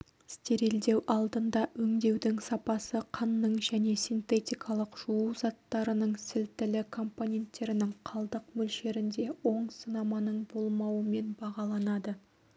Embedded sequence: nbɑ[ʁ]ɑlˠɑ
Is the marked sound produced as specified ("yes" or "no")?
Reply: yes